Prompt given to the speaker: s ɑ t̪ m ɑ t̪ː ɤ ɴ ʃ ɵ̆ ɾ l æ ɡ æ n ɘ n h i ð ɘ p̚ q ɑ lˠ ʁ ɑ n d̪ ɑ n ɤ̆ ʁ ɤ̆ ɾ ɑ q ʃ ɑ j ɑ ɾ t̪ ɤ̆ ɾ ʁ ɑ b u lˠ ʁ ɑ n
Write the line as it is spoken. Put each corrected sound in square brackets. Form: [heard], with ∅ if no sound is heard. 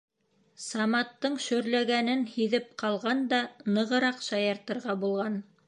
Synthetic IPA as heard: s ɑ [∅] m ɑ t̪ː ɤ ɴ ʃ ɵ̆ ɾ l æ ɡ æ n ɘ n h i ð ɘ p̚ q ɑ lˠ ʁ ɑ n d̪ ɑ n ɤ̆ ʁ ɤ̆ ɾ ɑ q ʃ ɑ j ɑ ɾ t̪ ɤ̆ ɾ ʁ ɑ b u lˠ ʁ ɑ n

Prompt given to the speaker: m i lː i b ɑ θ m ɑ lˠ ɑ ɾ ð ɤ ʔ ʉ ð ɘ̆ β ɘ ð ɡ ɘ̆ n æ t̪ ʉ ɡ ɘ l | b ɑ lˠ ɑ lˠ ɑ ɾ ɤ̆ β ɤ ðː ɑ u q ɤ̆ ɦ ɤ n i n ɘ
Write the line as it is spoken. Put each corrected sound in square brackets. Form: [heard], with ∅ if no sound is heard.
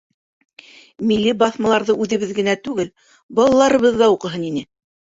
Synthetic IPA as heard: m i lː i b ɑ θ m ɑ lˠ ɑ ɾ ð ɤ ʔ ʉ ð ɘ̆ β ɘ ð ɡ ɘ̆ n æ t̪ ʉ ɡ ɘ l | b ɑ lˠ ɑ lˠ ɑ ɾ ɤ̆ β ɤ ðː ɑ u q ɤ̆ ɦ ɤ n i n ɘ

